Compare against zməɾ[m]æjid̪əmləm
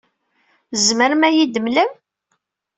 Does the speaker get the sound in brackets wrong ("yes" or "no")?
no